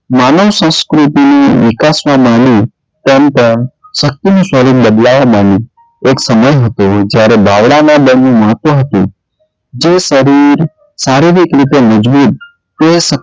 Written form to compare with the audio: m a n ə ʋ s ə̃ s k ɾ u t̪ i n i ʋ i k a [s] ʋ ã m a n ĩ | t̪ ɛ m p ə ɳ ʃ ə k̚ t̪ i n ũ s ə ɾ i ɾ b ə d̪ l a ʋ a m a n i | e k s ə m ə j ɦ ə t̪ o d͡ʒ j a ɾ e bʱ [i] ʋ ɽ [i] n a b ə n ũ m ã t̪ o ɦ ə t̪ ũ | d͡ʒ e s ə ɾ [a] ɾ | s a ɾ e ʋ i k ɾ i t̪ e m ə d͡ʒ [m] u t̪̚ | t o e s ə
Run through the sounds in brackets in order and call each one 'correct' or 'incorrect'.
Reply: correct, incorrect: a, incorrect: a, incorrect: i, incorrect: b

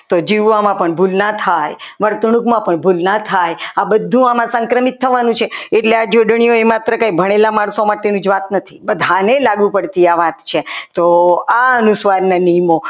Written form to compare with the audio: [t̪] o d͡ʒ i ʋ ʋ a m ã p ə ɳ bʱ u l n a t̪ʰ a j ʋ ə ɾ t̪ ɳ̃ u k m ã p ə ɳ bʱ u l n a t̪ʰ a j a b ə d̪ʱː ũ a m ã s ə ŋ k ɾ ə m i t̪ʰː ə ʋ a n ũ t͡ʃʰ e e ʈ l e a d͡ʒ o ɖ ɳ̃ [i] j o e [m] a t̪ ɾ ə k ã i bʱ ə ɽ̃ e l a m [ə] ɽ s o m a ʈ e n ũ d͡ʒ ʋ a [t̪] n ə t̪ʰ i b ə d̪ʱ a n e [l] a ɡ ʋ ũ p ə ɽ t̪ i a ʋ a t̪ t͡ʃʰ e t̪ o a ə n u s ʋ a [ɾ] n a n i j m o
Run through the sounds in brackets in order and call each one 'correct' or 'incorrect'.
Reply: correct, correct, correct, incorrect: a, correct, correct, correct

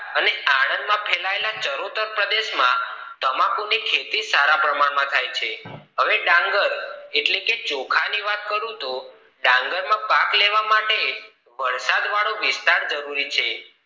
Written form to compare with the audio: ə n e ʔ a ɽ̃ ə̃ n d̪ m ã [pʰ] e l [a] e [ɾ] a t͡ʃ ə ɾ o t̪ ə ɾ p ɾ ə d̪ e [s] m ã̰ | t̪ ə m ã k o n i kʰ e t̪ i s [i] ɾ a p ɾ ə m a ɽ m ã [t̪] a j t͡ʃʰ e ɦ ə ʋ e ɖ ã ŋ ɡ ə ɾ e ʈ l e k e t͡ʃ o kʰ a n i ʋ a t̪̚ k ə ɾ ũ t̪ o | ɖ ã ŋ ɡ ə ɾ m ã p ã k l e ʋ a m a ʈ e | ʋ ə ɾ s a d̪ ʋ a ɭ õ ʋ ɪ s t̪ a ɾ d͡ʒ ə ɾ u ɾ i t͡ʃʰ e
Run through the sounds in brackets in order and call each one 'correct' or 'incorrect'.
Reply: correct, correct, incorrect: l, incorrect: ʃ, incorrect: a, incorrect: t̪ʰ

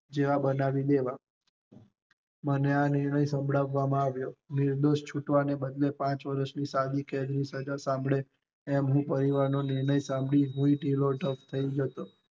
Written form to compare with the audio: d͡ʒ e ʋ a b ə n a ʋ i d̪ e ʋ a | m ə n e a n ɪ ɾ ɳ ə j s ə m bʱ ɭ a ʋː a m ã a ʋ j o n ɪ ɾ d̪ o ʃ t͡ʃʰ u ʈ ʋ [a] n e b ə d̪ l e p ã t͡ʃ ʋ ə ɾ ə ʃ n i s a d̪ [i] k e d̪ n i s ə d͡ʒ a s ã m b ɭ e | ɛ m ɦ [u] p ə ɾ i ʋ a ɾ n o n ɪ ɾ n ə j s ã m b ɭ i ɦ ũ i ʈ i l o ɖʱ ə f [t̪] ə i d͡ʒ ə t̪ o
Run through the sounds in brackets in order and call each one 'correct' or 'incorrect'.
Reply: correct, correct, incorrect: ũ, incorrect: t̪ʰ

